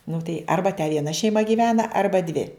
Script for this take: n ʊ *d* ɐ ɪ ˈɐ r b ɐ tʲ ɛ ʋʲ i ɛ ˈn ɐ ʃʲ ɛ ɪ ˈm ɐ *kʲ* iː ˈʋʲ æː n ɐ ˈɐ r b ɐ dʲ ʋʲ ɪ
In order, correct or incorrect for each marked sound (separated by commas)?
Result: incorrect, incorrect